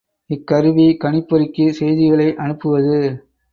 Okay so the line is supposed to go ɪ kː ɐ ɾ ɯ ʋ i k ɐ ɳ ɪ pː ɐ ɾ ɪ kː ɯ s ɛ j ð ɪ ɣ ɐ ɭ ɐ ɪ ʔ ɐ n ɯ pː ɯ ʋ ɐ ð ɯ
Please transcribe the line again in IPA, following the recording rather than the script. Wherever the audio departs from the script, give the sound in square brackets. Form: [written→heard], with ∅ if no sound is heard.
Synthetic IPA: ɪ kː ɐ ɾ ɯ ʋ i k ɐ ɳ ɪ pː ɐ ɾ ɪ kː ɯ s ɛ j ð ɪ ɣ ɐ ɭ ɐ ɪ ʔ ɐ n ɯ pː ɯ ʋ ɐ ð ɯ